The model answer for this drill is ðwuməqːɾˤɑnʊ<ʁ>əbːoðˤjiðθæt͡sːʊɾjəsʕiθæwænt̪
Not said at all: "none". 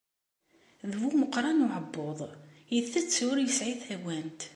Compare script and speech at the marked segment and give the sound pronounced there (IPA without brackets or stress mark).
ʕ